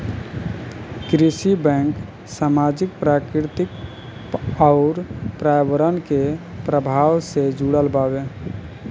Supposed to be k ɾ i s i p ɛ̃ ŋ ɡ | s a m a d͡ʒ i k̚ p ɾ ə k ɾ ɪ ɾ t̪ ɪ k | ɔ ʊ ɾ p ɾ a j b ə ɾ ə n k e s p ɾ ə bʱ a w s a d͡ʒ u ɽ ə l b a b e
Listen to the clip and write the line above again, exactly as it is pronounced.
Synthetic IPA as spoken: k ɾ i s i b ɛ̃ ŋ k | s a m a d͡ʒ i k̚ p ɾ a k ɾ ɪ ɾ t̪ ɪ k | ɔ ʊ ɾ p ɾ a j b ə ɾ ə n k e p ɾ ə bʱ a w s e d͡ʒ u ɽ ə l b a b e